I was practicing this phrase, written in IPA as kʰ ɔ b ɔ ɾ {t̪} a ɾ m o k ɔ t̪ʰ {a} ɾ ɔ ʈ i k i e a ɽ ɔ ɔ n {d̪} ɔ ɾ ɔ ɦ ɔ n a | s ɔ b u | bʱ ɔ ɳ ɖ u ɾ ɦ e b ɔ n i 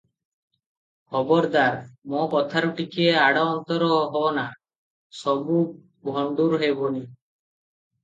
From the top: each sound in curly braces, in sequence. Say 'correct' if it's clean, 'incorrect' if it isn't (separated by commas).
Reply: incorrect, correct, incorrect